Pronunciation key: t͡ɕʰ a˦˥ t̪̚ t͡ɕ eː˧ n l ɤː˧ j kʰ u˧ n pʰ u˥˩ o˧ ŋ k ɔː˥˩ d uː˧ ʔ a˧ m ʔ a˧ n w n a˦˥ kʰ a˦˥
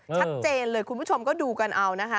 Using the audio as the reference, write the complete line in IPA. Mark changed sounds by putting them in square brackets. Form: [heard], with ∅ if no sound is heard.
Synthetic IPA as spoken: t͡ɕʰ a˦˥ t̪̚ t͡ɕ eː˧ n l ɤː˧ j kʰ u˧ n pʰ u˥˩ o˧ [m] k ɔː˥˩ d uː˧ [k] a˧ [n] ʔ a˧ [∅] w n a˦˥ kʰ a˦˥